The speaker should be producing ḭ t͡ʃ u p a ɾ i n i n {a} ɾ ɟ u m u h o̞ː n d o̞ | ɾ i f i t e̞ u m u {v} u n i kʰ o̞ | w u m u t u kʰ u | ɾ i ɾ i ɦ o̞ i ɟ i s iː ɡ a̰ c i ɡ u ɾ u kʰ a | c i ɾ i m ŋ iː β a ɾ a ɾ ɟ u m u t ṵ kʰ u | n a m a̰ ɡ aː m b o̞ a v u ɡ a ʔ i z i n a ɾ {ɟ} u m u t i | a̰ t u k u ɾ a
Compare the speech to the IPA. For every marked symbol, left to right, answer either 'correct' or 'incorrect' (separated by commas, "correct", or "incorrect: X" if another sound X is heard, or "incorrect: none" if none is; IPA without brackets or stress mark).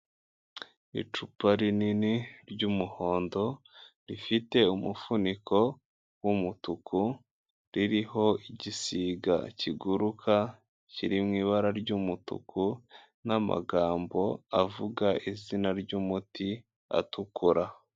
incorrect: i, incorrect: f, correct